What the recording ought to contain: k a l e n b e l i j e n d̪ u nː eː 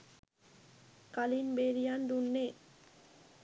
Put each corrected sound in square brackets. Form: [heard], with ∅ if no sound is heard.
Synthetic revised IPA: k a l [i] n b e [ɾ] i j [a] n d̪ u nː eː